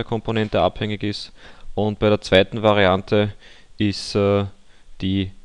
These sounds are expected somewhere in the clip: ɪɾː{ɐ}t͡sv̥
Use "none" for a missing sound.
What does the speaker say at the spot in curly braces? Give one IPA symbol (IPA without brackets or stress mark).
ɐ